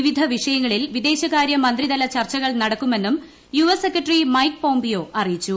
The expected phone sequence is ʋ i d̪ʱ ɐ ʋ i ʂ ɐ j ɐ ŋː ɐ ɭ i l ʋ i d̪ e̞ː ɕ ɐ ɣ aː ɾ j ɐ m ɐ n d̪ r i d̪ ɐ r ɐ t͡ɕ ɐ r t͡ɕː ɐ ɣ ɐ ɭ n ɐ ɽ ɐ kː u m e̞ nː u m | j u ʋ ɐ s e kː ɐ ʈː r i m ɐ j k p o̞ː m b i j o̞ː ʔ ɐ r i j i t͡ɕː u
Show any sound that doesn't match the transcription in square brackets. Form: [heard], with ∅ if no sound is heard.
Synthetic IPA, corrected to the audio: ʋ i d̪ʱ ɐ ʋ i ʂ ɐ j ɐ ŋː ɐ ɭ i l ʋ i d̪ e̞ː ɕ ɐ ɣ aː ɾ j ɐ m ɐ n d̪ r i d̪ ɐ [l] ɐ t͡ɕ ɐ r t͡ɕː ɐ ɣ ɐ ɭ n ɐ ɽ ɐ kː u m e̞ nː u m | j u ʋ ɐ s e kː ɐ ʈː r i m ɐ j k p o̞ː m b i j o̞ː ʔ ɐ r i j i t͡ɕː u